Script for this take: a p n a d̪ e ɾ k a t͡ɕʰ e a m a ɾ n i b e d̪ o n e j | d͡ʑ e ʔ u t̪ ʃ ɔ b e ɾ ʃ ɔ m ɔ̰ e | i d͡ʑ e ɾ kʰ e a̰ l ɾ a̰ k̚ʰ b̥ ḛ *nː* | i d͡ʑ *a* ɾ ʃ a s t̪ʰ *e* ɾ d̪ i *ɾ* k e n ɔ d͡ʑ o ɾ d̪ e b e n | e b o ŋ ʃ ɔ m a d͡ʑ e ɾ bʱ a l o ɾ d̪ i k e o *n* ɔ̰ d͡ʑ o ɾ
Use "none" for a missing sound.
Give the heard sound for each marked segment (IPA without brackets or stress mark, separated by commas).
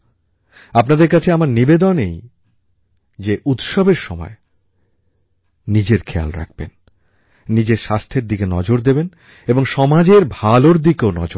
nː, e, e, none, n